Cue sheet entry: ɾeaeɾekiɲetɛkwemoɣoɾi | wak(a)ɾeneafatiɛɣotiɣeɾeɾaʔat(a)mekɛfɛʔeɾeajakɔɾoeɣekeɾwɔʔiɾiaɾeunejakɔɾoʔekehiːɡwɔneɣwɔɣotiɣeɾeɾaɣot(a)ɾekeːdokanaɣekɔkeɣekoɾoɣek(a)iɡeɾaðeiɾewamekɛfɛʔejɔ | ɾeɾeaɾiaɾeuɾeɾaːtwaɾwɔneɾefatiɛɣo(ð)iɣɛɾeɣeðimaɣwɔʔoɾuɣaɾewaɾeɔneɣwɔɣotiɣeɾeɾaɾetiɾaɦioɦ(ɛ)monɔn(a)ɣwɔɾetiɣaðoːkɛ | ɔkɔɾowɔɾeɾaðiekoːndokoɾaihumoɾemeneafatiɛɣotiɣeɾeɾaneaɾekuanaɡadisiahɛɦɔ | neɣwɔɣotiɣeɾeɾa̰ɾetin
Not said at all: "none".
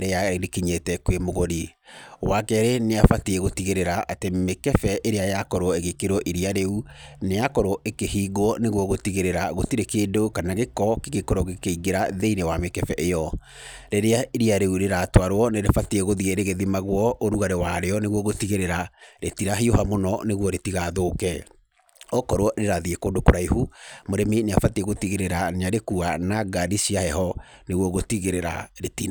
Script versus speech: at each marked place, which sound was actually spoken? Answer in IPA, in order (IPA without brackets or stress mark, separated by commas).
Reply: ɛ, e, i, e, ð, a, e